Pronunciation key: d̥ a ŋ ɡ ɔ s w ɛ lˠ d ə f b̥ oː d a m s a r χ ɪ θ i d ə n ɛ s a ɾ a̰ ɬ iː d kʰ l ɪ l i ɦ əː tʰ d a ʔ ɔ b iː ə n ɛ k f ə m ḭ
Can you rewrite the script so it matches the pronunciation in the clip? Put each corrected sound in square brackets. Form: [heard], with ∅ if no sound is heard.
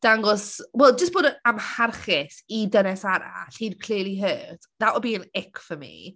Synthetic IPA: d̥ a ŋ ɡ ɔ s w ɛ lˠ [d͡ʒ] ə [s] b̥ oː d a m [h] a r χ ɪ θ i d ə n ɛ s a ɾ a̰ ɬ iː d kʰ l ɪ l i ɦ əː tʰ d a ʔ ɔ b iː ə n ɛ k f ə m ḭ